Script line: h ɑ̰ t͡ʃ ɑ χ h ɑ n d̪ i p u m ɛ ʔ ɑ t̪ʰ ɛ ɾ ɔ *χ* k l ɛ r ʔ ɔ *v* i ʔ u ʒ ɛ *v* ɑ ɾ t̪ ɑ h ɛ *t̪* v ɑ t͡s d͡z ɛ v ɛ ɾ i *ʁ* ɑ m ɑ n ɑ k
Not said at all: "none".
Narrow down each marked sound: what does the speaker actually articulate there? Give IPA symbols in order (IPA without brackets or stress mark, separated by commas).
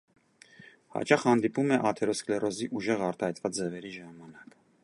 s, z, ʁ, t̪, ʒ